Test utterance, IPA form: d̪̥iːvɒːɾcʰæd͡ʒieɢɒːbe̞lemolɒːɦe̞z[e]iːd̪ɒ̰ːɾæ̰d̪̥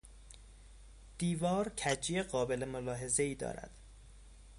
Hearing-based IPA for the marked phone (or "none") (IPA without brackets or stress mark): e